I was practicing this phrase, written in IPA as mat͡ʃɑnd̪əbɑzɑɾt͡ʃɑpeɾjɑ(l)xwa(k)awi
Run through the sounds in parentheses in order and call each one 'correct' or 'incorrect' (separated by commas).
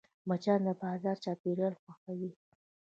correct, incorrect